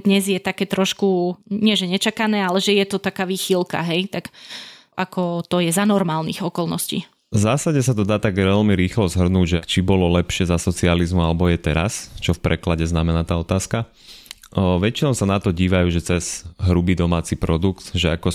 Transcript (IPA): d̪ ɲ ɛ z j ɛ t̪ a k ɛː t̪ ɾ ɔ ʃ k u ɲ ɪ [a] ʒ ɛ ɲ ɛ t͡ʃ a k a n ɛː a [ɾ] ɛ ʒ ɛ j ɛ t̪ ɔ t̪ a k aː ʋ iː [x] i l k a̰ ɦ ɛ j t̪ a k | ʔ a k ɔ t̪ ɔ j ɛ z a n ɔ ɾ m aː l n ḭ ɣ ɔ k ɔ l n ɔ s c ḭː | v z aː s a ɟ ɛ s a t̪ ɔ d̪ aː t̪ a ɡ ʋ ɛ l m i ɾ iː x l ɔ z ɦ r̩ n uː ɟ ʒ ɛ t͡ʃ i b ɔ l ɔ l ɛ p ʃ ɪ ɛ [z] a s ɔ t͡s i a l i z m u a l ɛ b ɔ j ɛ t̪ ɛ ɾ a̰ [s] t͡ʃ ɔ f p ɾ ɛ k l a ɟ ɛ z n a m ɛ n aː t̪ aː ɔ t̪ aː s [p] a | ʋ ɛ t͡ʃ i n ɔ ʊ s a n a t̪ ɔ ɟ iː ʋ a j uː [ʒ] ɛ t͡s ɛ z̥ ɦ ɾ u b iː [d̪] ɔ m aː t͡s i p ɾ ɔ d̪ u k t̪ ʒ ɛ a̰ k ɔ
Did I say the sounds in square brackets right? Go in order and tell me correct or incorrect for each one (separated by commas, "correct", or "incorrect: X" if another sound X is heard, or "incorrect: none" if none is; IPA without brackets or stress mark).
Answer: incorrect: ɛ, incorrect: l, correct, correct, correct, incorrect: k, correct, correct